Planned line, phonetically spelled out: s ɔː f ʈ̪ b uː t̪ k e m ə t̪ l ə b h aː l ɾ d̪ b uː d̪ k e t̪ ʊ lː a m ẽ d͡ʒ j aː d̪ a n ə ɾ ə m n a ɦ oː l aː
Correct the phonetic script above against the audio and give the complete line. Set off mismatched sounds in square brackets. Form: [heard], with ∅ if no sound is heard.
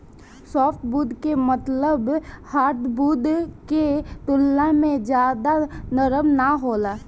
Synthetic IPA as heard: s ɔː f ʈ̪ b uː [d̪] k e m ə t̪ l ə b h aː [∅] ɾ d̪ b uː d̪ k e t̪ ʊ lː a m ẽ d͡ʒ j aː d̪ a n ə ɾ ə m n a ɦ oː l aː